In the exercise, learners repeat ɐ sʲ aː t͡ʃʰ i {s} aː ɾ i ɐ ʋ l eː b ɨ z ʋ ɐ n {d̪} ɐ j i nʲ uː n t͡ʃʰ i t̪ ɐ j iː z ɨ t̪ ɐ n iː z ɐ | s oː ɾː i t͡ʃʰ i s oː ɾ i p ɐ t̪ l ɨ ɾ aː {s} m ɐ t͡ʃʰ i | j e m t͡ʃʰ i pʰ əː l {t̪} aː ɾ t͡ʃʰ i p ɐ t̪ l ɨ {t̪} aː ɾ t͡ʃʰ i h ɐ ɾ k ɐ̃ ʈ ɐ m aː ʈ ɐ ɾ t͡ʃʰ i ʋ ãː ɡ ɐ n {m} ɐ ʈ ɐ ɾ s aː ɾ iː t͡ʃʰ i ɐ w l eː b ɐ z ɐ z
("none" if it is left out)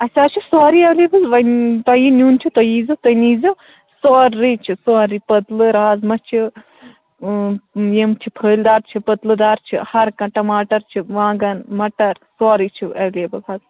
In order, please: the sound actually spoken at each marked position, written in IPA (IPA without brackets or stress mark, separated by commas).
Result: s, t̪, z, d̪, d̪, m